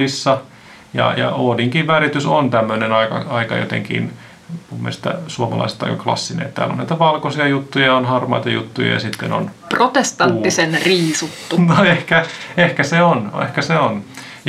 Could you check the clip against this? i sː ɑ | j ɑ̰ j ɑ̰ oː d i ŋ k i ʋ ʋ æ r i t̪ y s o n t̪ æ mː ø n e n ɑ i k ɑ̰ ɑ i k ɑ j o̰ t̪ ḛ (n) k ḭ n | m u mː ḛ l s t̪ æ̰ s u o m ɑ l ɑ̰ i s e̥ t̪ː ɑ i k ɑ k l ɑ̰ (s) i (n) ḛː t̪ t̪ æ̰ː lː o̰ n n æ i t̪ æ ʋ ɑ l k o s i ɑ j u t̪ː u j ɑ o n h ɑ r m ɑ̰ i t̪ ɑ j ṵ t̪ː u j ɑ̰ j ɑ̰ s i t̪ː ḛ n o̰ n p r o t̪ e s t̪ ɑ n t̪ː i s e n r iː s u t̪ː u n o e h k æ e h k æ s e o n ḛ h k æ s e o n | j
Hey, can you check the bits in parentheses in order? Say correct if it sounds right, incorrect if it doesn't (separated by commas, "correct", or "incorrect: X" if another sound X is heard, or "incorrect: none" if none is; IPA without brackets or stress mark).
incorrect: ŋ, incorrect: sː, correct